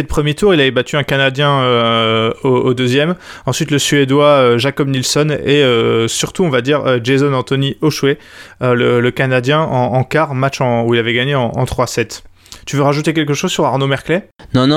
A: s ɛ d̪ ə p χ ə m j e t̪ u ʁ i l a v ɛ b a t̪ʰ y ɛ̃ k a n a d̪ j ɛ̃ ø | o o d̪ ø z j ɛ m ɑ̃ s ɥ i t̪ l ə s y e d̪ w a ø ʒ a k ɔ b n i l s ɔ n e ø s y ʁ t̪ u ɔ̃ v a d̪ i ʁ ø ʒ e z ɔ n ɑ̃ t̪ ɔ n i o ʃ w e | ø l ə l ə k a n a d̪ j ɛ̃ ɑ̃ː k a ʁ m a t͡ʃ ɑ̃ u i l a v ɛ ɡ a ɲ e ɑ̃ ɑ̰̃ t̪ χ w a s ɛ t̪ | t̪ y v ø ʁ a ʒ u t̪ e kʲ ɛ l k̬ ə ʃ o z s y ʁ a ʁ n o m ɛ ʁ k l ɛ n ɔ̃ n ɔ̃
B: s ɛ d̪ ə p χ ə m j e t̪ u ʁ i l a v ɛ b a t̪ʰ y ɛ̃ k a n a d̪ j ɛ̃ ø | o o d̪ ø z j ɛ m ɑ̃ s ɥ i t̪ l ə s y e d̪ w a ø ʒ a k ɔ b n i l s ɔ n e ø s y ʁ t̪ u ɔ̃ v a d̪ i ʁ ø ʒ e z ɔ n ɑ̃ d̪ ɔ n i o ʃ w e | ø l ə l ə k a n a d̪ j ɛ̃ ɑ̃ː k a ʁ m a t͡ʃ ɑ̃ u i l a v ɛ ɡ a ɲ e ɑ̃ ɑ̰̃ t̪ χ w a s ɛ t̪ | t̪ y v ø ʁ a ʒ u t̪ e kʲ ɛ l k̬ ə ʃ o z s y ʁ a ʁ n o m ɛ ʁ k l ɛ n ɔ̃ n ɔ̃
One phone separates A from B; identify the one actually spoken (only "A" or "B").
A